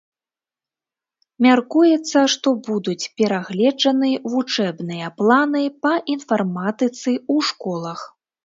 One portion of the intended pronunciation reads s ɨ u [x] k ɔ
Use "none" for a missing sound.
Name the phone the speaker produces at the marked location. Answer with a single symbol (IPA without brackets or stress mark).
ʂ